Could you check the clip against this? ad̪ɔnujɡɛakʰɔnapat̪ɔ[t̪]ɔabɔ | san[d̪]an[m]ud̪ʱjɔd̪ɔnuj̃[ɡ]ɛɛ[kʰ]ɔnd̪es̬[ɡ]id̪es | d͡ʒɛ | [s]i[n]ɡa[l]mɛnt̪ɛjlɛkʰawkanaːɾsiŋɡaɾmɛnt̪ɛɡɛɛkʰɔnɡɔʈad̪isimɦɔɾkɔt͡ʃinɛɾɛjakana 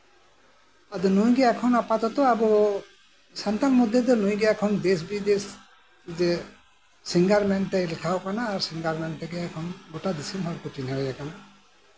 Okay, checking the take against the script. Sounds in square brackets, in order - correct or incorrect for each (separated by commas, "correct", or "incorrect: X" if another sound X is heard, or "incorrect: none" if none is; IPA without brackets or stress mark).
correct, incorrect: t̪, correct, correct, correct, incorrect: b, correct, incorrect: ŋ, incorrect: ɾ